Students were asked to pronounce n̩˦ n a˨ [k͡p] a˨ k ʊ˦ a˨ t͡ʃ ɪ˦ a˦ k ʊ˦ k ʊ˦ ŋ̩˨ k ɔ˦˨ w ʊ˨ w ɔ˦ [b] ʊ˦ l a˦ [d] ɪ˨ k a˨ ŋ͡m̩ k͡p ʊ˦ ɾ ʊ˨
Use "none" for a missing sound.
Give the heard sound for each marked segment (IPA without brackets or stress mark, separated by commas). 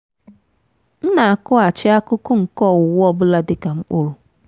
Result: none, b, d